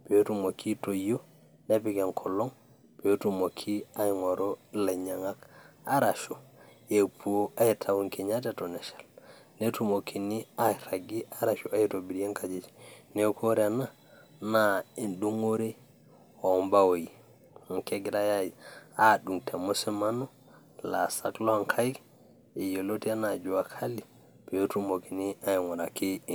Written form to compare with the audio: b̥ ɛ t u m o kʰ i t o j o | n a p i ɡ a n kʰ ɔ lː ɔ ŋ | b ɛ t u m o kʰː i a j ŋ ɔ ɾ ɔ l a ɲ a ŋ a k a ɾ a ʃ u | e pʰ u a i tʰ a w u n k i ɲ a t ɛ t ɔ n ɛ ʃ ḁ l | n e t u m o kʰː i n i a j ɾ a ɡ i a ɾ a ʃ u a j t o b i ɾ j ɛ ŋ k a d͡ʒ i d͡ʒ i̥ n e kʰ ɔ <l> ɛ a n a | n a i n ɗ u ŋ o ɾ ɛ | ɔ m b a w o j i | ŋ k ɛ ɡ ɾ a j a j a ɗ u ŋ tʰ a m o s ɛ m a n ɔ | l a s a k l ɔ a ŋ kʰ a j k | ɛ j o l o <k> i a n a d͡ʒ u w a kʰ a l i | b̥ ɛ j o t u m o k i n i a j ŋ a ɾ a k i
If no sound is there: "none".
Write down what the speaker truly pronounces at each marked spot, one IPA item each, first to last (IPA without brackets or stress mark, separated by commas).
ɾ, t